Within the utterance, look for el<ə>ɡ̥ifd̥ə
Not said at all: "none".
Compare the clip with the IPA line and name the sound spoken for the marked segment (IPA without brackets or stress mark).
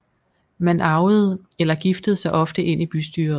ɐ